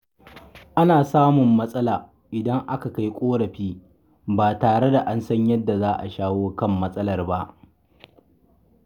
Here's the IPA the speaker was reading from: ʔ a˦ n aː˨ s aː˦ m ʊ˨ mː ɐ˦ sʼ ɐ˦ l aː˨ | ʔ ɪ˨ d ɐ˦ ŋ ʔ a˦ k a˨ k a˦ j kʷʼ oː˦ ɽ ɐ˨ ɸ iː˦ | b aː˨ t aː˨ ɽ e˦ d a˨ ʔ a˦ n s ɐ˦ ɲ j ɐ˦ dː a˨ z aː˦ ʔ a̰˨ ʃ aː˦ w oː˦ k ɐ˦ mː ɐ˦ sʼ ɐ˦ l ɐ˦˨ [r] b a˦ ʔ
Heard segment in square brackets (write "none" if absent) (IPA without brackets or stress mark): r